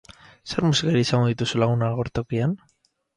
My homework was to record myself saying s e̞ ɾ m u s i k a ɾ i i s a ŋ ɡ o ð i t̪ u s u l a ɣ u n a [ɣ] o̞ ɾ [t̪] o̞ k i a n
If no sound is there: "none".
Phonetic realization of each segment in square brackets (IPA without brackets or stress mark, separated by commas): ɣ, t̪